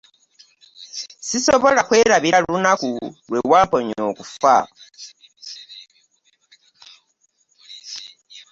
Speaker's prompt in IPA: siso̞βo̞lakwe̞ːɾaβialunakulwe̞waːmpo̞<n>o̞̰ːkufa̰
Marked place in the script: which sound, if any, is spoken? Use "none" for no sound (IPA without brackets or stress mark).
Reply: ɲ